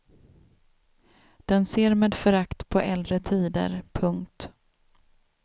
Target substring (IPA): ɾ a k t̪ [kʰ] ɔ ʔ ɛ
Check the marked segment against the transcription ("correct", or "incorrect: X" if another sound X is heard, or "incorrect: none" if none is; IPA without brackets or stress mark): incorrect: pʰ